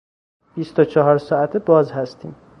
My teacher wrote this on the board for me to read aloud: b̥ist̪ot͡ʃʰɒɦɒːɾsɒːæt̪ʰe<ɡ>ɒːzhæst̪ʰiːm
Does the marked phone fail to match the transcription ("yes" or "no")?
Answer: yes